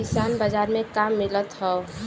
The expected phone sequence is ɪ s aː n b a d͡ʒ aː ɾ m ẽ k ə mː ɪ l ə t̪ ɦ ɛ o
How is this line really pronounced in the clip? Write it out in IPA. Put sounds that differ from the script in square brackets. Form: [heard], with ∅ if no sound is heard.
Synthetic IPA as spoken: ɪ s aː n b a d͡ʒ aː ɾ m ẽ k [a] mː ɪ l ə t̪ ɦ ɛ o